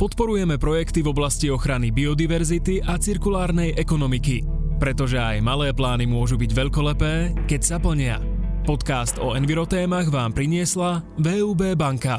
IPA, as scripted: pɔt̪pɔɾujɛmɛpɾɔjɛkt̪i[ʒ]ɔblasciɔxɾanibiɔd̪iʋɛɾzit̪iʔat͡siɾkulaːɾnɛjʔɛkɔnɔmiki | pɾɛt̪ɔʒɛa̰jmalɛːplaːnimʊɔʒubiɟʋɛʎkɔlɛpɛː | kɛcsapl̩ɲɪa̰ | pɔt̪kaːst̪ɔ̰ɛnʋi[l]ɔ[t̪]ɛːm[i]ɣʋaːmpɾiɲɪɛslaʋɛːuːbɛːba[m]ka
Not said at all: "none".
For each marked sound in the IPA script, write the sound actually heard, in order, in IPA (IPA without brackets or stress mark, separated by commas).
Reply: v, ɾ, t̪, a, ŋ